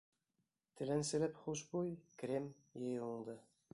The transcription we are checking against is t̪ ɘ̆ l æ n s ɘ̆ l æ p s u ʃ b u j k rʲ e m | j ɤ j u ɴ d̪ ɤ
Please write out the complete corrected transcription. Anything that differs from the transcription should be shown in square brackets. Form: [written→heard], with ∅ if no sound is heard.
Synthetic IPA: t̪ ɘ̆ l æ n s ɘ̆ l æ p [s→χ] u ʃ b u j k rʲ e m | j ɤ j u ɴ d̪ ɤ